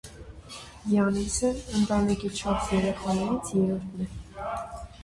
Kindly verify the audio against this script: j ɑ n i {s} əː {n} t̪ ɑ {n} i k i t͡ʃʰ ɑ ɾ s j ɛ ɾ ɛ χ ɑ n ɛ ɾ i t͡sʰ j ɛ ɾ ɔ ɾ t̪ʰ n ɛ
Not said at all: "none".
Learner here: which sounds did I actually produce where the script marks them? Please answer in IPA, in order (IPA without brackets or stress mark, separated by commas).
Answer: s, n, n